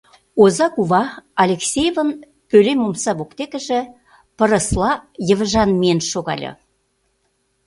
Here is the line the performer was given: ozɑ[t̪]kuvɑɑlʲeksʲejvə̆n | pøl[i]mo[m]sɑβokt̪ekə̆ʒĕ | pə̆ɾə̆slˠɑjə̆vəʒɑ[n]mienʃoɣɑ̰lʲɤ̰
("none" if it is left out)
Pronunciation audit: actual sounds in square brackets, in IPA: none, e, m, n

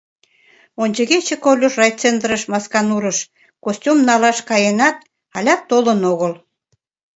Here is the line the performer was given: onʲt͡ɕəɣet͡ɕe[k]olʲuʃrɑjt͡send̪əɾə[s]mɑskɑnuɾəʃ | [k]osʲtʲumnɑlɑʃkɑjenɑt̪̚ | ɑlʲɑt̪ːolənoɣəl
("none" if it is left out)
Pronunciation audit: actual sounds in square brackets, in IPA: k, ʃ, k

